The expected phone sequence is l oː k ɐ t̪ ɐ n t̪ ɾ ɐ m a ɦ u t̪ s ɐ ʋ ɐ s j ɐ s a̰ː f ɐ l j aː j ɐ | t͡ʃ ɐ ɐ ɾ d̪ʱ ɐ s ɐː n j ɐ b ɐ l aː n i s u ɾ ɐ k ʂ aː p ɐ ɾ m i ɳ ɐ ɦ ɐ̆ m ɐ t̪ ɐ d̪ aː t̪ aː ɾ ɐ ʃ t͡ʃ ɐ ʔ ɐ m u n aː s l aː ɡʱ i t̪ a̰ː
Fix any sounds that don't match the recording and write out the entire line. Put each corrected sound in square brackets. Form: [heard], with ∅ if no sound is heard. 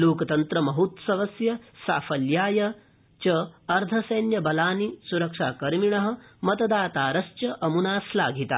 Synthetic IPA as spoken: l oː k ɐ t̪ ɐ n t̪ ɾ ɐ m [ɐ] ɦ u t̪ s ɐ ʋ ɐ s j ɐ s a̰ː f ɐ l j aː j ɐ | t͡ʃ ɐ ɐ ɾ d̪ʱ ɐ s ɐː n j ɐ b ɐ l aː n i s u ɾ ɐ k ʂ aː [k] ɐ ɾ m i ɳ ɐ ɦ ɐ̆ m ɐ t̪ ɐ d̪ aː t̪ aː ɾ ɐ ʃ t͡ʃ ɐ ʔ ɐ m u n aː s l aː ɡʱ i t̪ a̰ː